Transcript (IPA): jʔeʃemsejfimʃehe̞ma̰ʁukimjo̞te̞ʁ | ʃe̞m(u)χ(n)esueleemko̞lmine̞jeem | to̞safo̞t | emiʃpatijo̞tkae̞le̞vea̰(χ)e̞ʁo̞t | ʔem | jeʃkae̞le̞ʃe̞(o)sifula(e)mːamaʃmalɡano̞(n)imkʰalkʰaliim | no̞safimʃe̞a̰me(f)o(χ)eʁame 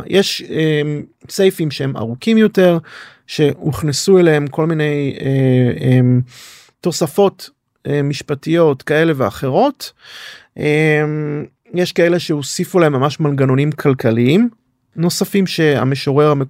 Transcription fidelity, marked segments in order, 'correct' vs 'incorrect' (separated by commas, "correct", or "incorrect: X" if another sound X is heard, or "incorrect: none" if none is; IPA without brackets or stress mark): correct, correct, correct, correct, correct, correct, incorrect: ʃ, incorrect: ʁ